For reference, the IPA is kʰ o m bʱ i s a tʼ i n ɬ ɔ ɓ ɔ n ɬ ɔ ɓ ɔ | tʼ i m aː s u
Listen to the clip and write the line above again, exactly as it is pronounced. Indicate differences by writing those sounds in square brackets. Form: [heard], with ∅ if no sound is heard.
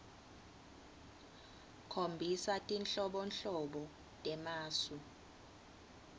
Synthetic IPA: kʰ o m bʱ i s a tʼ i n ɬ ɔ ɓ ɔ n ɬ ɔ ɓ ɔ | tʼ [ɛ] m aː s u